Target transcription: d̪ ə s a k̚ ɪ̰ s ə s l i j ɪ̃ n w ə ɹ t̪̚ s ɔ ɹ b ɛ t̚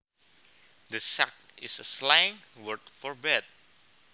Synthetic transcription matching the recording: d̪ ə s a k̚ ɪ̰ s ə s l a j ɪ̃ ŋ w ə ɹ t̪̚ f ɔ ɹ b ɛ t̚